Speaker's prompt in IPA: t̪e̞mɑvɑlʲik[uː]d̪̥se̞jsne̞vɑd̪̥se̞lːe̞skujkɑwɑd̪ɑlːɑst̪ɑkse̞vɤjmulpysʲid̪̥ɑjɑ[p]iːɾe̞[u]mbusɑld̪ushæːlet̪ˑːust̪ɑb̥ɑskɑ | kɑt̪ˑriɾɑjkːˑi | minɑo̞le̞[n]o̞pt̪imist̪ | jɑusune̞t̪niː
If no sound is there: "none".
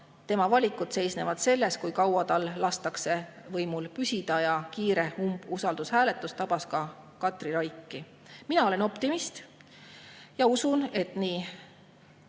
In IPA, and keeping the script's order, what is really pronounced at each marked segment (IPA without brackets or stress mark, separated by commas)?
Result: u, k, u, n